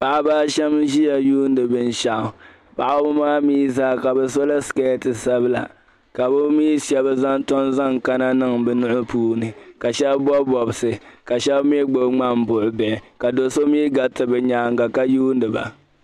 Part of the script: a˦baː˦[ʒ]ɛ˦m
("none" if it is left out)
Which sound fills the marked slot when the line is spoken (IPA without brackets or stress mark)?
ʃ